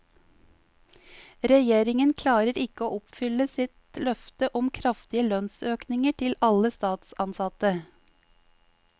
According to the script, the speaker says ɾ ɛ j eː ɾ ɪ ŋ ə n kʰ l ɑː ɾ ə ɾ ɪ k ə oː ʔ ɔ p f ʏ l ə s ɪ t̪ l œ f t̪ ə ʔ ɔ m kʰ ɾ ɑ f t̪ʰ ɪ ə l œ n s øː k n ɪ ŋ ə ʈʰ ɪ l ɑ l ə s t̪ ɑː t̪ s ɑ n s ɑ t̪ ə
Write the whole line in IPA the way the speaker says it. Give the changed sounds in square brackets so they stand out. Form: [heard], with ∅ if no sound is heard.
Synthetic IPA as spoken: ɾ ɛ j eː ɾ ɪ ŋ ə n kʰ l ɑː ɾ ə ɾ ɪ k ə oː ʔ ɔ p f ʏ l ə s ɪ t̪ l œ f t̪ ə ʔ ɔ m kʰ ɾ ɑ f [t̪] ɪ ə l œ n s øː k n ɪ ŋ ə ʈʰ ɪ l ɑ l ə s t̪ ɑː t̪ s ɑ n s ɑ t̪ ə

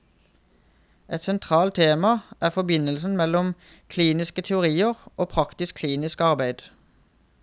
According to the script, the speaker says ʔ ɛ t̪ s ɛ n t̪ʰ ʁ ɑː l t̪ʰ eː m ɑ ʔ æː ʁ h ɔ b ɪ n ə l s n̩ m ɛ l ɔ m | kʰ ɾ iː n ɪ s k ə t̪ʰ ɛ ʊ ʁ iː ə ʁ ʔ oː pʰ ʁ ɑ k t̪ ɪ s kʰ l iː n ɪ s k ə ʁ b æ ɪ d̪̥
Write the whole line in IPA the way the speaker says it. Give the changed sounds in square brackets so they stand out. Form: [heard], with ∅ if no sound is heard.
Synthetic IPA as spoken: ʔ ɛ t̪ s ɛ n t̪ʰ ʁ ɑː l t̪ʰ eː m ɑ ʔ æː ʁ [f] ɔ b ɪ n ə l s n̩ m ɛ l ɔ m | kʰ [l] iː n ɪ s k ə t̪ʰ ɛ ʊ ʁ iː ə ʁ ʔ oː pʰ ʁ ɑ k t̪ ɪ s kʰ l iː n ɪ s k [ɑ] ʁ b æ ɪ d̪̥

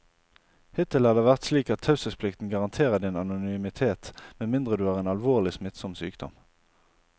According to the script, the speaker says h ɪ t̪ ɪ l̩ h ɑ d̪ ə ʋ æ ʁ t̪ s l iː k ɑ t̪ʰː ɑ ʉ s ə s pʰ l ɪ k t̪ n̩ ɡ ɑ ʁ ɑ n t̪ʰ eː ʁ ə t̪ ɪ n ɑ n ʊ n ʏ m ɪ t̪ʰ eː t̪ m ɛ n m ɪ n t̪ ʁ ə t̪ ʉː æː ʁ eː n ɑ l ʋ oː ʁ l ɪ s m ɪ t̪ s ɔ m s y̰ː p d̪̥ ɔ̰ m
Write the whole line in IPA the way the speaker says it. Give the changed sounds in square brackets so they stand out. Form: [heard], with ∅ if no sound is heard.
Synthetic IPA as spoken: h ɪ t̪ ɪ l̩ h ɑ d̪ ə ʋ æ ʁ t̪ s l iː k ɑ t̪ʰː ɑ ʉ s ə s pʰ l ɪ k t̪ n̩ ɡ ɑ ʁ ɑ n t̪ʰ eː ʁ ə [d̪] ɪ n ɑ n ʊ n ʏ m ɪ t̪ʰ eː t̪ m ɛ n m ɪ n [d̪] ʁ ə [d̪] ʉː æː ʁ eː n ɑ l ʋ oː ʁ l ɪ s m ɪ t̪ s ɔ m s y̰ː [k] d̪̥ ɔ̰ m

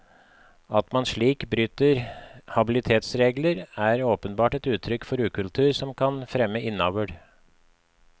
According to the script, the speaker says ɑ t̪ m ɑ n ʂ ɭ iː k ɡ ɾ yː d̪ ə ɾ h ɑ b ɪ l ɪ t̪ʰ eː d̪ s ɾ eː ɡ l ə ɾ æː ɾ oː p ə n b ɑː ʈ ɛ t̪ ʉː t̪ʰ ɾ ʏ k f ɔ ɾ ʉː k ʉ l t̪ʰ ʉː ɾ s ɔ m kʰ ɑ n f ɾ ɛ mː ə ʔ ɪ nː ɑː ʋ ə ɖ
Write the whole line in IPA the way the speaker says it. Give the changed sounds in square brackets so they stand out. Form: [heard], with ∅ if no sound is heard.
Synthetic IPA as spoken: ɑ t̪ m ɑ n ʂ ɭ iː k [b] ɾ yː [t̪] ə ɾ h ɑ b ɪ l ɪ t̪ʰ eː [t̪] s ɾ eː ɡ l ə ɾ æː ɾ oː p ə n b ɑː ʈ ɛ t̪ ʉː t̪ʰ ɾ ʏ k f ɔ ɾ ʉː k ʉ l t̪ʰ ʉː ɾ s ɔ m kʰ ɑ n f ɾ ɛ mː ə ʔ ɪ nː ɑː ʋ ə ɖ

